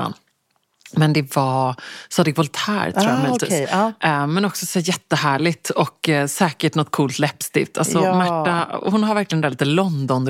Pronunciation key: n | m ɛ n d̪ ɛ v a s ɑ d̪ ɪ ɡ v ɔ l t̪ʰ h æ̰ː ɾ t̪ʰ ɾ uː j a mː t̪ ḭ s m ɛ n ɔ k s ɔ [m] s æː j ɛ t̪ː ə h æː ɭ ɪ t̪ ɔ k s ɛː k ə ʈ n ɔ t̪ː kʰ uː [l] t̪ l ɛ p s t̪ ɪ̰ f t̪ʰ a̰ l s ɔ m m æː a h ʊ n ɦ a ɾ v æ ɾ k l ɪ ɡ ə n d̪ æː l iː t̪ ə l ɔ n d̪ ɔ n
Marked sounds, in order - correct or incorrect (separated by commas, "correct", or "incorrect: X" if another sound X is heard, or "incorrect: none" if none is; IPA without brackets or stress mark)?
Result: incorrect: none, correct